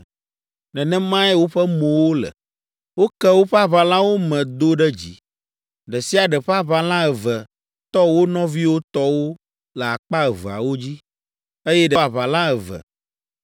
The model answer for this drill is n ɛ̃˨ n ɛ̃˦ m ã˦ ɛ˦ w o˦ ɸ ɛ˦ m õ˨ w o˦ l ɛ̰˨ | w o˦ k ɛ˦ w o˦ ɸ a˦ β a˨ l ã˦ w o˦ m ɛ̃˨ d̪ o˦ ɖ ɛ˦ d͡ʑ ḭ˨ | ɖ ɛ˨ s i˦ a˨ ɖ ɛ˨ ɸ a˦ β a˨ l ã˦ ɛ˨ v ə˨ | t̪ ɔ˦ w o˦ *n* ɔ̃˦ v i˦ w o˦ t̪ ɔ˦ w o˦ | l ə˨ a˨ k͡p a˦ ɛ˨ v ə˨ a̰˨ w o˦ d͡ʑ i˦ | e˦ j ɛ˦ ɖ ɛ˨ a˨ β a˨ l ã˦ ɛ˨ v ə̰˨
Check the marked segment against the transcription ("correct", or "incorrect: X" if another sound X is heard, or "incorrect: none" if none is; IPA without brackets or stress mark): correct